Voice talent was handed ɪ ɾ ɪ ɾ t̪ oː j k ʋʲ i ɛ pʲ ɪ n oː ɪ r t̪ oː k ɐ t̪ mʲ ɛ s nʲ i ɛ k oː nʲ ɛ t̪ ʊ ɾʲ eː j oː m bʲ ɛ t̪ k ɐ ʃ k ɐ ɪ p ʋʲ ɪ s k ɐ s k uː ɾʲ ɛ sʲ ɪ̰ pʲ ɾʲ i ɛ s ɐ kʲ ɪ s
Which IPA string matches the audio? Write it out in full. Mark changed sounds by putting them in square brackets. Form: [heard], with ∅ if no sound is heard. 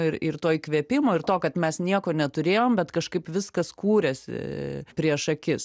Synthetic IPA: ɪ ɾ ɪ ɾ t̪ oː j k ʋʲ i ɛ pʲ ɪ [m] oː ɪ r t̪ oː k ɐ t̪ mʲ ɛ s nʲ i ɛ k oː nʲ ɛ t̪ ʊ ɾʲ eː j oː m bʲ ɛ t̪ k ɐ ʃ k ɐ ɪ p ʋʲ ɪ s k ɐ s k uː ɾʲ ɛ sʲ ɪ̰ pʲ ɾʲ i ɛ [ʃ] ɐ kʲ ɪ s